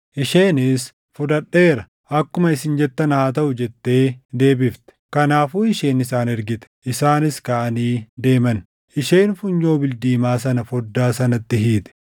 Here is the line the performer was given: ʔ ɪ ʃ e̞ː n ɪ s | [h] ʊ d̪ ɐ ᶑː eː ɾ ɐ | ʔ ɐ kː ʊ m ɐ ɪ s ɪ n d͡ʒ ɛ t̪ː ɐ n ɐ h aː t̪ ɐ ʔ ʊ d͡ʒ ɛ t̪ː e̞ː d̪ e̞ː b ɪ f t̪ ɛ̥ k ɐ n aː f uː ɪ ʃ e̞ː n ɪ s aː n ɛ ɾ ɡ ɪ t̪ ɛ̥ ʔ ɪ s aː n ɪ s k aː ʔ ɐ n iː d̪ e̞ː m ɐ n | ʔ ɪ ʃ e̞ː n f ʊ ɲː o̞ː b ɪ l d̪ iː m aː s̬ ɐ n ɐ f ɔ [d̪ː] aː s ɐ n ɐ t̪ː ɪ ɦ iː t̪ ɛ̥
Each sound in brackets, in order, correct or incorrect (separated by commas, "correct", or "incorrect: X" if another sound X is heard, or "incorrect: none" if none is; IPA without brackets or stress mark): incorrect: f, correct